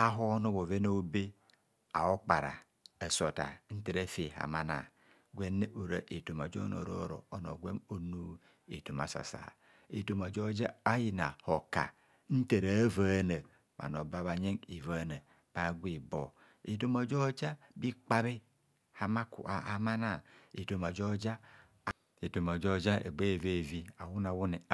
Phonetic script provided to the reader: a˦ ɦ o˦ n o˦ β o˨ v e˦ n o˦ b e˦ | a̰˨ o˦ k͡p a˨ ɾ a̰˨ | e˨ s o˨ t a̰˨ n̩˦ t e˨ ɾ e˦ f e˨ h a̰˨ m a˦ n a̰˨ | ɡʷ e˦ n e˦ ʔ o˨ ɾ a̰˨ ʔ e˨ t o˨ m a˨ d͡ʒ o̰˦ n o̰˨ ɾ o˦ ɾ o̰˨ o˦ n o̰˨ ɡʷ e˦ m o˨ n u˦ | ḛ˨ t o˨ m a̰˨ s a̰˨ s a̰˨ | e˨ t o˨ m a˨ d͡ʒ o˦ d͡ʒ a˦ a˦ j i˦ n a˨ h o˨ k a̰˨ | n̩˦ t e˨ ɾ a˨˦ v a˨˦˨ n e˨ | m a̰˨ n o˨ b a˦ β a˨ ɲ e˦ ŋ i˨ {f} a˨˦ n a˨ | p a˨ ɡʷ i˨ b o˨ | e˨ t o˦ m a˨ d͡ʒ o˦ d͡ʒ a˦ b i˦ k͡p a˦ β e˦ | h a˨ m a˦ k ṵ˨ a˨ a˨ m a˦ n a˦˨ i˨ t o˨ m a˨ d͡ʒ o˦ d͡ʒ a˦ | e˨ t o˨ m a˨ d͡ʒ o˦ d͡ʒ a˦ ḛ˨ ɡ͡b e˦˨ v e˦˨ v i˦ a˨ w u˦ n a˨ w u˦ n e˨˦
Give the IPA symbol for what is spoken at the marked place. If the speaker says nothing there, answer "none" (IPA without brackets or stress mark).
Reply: v